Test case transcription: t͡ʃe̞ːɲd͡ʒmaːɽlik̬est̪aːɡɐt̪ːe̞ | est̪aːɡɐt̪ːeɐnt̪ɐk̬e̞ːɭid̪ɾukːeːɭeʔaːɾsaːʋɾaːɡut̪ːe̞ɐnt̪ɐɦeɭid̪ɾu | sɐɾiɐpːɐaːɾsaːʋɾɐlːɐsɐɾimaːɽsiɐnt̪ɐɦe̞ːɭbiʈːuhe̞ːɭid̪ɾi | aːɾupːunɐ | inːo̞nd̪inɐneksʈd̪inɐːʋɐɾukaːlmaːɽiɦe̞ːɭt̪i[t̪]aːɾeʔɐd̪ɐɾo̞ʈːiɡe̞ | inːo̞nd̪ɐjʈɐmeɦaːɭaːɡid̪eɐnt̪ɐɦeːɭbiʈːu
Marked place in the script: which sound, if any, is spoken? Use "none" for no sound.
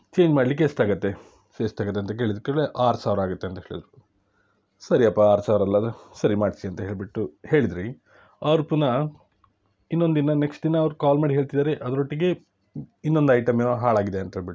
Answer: d̪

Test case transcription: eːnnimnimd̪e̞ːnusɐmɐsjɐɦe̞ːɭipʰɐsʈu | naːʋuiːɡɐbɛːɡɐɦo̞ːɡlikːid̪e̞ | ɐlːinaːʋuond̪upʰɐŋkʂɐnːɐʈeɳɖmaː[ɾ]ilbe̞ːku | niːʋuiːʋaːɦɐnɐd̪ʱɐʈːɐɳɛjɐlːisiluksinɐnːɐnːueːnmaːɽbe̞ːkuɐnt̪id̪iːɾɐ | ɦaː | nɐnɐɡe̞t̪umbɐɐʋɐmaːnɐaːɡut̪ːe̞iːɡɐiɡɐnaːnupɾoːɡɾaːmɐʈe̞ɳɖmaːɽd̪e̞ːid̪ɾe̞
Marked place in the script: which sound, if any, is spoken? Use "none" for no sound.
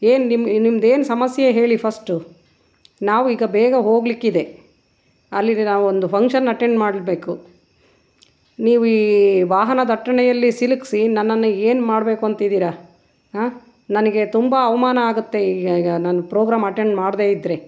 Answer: ɽ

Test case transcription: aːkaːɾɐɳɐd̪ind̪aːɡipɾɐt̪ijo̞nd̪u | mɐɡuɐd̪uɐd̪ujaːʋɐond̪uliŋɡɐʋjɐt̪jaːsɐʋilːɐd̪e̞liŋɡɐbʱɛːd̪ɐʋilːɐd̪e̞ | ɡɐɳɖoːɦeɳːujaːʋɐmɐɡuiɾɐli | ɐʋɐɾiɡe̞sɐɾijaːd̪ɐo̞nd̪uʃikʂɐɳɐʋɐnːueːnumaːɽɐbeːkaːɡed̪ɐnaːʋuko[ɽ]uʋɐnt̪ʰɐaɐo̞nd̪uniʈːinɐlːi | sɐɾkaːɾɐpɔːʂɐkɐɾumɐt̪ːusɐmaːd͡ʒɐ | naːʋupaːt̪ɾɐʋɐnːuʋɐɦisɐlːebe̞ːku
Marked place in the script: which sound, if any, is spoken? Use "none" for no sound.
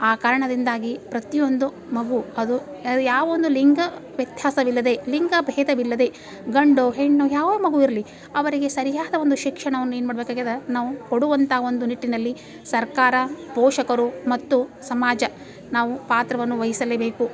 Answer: ɽ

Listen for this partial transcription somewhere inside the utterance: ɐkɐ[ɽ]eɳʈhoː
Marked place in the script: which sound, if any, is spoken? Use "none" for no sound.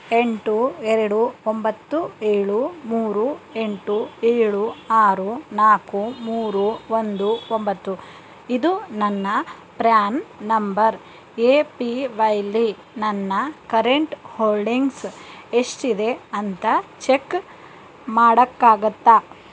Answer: ɾ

